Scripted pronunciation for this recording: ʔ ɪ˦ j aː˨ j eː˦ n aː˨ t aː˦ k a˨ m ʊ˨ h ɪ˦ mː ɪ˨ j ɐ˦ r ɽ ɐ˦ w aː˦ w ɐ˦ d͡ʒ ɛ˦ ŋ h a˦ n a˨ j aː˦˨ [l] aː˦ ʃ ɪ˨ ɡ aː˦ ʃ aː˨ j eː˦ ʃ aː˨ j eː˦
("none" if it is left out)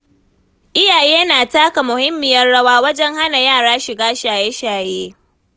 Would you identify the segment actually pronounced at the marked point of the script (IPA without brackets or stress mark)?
ɽ